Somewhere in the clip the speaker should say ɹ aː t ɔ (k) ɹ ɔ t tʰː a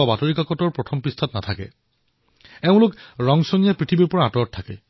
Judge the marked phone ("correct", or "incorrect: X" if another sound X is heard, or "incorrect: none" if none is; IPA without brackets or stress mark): incorrect: none